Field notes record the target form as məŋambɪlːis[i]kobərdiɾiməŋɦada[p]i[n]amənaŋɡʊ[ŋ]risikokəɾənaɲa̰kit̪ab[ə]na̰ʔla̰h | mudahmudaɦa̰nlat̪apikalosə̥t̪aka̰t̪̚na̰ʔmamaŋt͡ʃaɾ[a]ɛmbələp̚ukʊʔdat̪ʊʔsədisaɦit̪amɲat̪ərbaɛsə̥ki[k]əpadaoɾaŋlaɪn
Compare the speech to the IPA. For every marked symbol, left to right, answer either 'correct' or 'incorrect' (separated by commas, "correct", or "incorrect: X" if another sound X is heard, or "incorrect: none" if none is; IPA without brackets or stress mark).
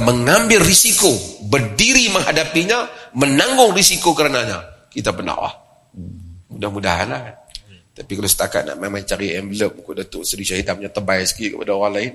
correct, correct, incorrect: ɲ, correct, correct, incorrect: i, correct